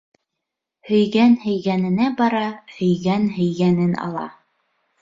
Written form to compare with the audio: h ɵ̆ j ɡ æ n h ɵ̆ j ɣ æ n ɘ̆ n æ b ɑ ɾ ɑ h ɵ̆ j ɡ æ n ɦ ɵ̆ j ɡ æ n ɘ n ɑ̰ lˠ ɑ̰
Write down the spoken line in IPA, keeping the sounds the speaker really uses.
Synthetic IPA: h ɵ̆ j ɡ æ n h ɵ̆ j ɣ æ n ɘ̆ n æ b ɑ ɾ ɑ h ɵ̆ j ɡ æ n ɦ ɵ̆ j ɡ æ n ɘ n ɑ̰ lˠ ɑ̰